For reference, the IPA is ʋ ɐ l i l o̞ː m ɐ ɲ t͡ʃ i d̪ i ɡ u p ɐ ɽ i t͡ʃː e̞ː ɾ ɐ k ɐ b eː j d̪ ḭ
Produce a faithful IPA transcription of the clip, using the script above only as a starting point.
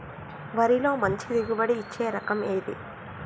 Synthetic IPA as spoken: ʋ ɐ ɾ i l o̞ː m ɐ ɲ t͡ʃ i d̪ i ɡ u b ɐ ɽ iː t͡ʃː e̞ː ɾ ɐ k ɐ m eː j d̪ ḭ